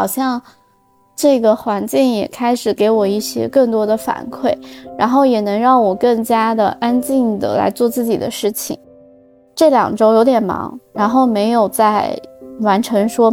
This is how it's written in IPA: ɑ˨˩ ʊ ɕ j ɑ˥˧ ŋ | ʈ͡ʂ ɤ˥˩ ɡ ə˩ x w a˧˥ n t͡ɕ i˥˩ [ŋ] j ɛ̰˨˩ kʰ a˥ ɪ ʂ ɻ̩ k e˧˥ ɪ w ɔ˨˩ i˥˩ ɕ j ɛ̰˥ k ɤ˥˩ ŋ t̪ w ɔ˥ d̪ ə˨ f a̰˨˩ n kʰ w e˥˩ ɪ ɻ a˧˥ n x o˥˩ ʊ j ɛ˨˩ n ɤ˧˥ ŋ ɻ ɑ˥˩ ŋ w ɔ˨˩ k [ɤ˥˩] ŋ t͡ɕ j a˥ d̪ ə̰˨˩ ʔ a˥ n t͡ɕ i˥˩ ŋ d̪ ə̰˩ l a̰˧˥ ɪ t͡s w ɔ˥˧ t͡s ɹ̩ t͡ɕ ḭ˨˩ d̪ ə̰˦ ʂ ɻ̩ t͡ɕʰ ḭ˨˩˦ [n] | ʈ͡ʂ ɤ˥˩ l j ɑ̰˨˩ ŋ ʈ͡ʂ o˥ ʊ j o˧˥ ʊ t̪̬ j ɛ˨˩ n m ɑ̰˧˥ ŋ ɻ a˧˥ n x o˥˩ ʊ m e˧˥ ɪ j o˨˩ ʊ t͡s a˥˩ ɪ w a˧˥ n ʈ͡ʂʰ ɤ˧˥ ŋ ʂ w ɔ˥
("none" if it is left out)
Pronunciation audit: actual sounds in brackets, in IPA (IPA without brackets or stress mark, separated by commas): ŋ, ɤ˥˩, ŋ